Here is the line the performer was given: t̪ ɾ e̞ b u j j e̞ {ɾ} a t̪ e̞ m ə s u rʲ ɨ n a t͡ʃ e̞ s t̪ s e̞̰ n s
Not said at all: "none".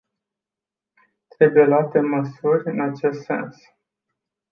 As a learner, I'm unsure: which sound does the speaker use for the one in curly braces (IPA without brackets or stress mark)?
l